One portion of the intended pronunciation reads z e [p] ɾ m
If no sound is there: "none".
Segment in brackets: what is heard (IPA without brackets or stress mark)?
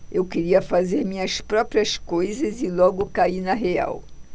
none